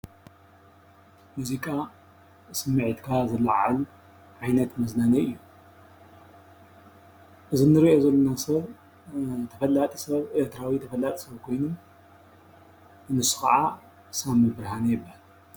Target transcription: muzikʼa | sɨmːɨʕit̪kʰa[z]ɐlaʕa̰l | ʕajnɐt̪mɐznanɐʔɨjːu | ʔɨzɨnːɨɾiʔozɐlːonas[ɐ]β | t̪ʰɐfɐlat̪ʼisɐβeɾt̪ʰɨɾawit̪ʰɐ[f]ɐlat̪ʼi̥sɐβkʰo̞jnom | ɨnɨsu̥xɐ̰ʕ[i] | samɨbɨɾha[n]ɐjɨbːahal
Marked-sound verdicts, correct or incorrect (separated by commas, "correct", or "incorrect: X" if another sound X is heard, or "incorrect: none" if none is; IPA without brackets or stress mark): correct, correct, correct, incorrect: a, correct